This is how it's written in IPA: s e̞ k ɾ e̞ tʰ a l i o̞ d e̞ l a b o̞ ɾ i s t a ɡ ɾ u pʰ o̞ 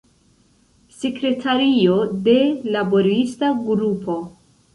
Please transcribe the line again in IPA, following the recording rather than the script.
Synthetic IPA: s e̞ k ɾ e̞ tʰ a ɾ i o̞ d e̞ l a b o̞ ɾ i s t a ɡ ɾ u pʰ o̞